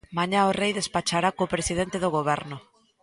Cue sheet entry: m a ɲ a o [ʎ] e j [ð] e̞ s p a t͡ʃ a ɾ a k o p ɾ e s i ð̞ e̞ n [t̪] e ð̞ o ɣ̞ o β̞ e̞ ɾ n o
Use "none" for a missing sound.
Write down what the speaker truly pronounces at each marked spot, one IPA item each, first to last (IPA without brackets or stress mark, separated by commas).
r, ð, t̪